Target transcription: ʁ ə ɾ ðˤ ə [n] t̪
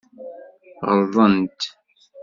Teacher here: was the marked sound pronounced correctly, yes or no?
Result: yes